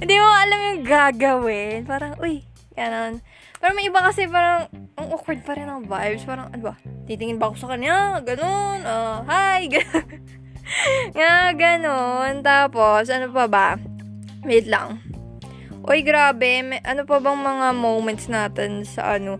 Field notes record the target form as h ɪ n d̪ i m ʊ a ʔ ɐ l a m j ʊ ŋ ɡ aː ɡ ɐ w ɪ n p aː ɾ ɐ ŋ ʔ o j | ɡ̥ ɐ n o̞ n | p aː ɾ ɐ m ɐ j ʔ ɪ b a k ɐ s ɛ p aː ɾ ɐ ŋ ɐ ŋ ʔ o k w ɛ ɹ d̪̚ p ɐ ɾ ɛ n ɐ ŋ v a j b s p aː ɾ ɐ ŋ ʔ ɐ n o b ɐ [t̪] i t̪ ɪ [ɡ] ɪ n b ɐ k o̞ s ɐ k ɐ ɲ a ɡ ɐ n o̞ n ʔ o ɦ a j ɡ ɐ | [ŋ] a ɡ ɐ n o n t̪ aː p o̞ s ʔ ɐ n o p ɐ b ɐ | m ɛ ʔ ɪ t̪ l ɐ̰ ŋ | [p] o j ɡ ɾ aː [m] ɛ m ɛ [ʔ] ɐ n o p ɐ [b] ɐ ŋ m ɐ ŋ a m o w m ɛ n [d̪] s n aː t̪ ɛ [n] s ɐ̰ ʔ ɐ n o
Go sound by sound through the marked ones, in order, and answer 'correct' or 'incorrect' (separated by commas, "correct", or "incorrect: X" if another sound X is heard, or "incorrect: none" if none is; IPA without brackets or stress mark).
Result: correct, incorrect: ŋ, correct, incorrect: ʔ, incorrect: b, correct, correct, incorrect: t̪, correct